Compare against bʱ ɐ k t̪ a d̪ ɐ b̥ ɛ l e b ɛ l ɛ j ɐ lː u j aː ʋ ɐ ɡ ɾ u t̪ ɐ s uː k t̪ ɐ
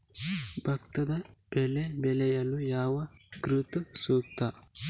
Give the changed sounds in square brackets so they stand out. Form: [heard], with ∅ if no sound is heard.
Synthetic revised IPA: bʱ ɐ k t̪ [ɐ] d̪ ɐ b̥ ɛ l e b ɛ l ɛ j ɐ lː u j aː ʋ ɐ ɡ ɾ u t̪ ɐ s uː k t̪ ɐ